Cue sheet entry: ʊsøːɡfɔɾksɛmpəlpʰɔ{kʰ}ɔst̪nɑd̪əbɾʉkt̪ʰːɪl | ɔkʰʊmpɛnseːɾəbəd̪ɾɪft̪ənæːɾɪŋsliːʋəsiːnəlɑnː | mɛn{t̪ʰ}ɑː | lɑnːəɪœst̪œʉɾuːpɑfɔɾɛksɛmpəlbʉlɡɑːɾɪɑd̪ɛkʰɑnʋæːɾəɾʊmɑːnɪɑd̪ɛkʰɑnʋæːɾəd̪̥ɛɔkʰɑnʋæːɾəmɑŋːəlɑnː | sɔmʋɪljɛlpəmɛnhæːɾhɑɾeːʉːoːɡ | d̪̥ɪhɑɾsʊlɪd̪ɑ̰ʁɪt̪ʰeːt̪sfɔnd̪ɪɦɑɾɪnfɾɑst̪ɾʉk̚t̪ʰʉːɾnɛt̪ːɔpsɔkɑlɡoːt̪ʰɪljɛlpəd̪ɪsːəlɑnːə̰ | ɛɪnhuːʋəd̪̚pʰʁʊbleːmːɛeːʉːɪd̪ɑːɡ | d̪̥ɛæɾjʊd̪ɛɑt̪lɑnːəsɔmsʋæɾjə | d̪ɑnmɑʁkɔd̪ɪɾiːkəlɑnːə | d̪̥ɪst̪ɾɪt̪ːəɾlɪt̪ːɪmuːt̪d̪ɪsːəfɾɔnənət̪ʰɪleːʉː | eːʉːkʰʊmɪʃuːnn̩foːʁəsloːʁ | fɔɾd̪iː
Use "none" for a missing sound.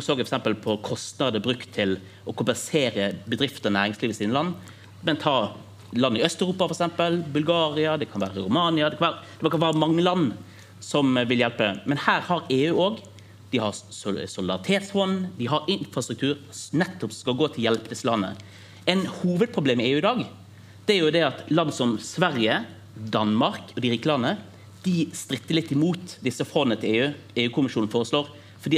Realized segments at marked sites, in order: kʰ, t̪ʰ

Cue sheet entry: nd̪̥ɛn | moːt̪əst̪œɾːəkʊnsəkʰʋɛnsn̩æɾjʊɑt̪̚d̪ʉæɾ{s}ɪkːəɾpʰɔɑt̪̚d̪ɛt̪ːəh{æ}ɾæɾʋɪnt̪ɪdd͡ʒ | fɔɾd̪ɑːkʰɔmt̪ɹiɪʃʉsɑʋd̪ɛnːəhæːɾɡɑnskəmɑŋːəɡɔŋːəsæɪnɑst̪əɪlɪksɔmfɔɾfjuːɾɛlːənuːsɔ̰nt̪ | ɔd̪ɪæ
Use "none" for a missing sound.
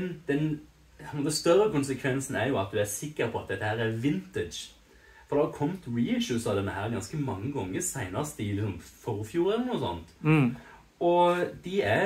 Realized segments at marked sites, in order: s, æː

